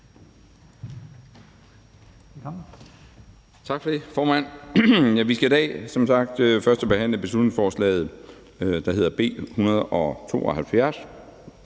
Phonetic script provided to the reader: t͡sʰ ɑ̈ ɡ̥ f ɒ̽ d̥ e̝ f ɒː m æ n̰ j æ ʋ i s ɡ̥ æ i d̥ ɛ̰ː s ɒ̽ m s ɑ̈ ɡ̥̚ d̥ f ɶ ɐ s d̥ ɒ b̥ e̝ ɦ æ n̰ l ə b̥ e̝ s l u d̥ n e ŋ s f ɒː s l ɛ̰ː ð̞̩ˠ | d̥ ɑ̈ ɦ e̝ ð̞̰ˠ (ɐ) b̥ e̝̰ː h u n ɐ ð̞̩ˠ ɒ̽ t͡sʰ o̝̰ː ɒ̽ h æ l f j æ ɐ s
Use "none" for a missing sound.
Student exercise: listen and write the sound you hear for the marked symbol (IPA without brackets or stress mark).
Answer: ɐ